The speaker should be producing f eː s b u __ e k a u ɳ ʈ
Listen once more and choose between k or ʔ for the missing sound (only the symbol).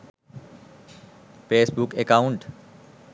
k